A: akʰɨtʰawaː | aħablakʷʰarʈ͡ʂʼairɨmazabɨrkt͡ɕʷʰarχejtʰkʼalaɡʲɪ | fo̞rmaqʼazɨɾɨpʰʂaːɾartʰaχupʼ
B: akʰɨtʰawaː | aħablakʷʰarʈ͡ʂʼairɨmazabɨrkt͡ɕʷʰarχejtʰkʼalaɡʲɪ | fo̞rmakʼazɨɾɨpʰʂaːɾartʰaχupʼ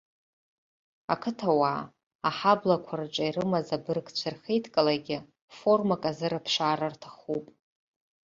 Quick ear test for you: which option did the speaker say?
B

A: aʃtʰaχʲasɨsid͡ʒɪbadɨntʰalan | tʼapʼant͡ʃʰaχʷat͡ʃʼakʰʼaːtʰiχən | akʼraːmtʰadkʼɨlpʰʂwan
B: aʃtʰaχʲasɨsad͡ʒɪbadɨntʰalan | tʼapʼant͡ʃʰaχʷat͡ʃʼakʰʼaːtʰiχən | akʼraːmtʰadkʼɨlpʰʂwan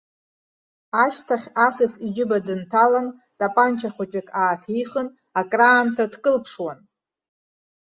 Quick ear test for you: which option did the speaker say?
A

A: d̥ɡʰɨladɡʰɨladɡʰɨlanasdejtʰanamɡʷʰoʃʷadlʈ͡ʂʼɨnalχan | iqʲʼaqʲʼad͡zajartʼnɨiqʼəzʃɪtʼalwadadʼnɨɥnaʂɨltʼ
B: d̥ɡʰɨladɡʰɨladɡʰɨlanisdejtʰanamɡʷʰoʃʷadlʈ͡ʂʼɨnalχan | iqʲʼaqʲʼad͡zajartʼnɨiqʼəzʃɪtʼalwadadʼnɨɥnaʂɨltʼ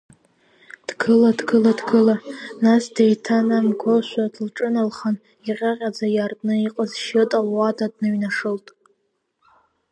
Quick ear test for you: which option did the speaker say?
A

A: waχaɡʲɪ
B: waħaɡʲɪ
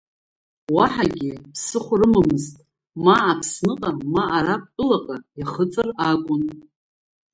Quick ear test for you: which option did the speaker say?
B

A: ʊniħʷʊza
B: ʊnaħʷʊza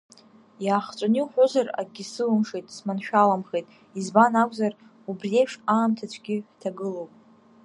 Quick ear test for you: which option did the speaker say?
A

